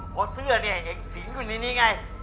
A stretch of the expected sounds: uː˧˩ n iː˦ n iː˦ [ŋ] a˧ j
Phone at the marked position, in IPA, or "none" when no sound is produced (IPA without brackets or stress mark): ŋ